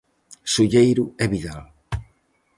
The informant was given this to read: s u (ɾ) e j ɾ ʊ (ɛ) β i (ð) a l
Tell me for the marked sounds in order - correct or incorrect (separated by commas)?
incorrect, correct, correct